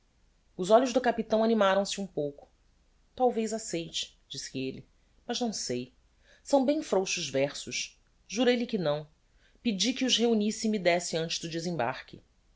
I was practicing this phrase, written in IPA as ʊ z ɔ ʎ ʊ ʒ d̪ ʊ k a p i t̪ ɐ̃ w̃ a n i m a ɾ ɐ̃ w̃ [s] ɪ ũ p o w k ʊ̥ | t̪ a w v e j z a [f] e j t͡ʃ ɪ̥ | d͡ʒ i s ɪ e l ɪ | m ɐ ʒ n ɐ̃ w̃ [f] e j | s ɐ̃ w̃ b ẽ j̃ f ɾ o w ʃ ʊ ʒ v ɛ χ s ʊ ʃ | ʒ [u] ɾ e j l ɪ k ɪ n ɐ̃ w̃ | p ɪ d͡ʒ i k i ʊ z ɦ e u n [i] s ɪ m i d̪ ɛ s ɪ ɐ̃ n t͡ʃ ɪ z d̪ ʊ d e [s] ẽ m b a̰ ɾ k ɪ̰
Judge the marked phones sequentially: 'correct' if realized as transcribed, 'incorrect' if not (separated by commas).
correct, incorrect, incorrect, correct, correct, incorrect